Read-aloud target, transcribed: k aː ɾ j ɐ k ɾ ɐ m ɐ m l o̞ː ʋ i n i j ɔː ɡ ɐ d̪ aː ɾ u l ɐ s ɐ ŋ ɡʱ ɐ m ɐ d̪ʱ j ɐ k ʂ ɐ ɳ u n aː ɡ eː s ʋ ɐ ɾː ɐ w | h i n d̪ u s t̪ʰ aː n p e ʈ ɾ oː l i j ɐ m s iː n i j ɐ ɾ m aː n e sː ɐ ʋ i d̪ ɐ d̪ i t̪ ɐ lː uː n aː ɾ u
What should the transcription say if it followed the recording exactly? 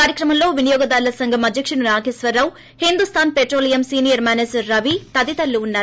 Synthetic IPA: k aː ɾ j ɐ k ɾ ɐ m ɐ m l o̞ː ʋ i n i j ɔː ɡ ɐ d̪ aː ɾ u l ɐ s ɐ ŋ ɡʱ ɐ m ɐ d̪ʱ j ɐ k ʂ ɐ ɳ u n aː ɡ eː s ʋ ɐ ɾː ɐ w | h i n d̪ u s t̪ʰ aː n p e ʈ ɾ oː l i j ɐ m s iː n i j ɐ ɾ m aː n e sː ɐ ʋ i t̪ ɐ d̪ i t̪ ɐ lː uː nː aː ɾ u